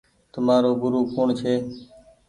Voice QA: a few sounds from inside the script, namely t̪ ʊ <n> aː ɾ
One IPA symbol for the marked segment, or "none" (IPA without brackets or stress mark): m